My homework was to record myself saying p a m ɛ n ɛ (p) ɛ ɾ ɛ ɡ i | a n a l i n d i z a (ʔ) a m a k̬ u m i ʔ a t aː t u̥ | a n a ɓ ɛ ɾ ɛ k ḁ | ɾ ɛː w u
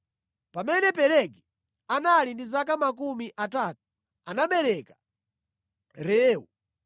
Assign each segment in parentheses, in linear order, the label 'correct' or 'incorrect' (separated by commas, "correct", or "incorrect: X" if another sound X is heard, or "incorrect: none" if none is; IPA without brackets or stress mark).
correct, incorrect: k